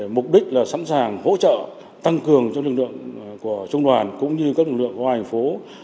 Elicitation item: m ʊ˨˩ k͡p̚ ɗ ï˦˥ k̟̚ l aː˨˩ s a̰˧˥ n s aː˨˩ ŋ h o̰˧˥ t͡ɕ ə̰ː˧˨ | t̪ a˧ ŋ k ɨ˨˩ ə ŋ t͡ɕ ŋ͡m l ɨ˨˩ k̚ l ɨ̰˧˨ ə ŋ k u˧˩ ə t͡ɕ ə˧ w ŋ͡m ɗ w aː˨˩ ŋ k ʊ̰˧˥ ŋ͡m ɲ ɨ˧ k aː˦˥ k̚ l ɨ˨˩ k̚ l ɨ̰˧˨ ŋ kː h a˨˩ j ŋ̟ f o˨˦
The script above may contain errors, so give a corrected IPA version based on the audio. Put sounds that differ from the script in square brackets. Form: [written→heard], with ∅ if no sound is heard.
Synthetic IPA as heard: m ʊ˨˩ k͡p̚ ɗ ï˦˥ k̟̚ l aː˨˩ s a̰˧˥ n s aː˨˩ ŋ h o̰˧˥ t͡ɕ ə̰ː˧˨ | t̪ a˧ ŋ k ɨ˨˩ ə ŋ t͡ɕ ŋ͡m l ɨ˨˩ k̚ l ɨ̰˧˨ ə ŋ k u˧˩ ə t͡ɕ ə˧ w ŋ͡m ɗ w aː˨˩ [ŋ→n] k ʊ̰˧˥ ŋ͡m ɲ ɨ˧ k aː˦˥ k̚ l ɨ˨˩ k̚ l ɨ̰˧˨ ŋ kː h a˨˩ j ŋ̟ f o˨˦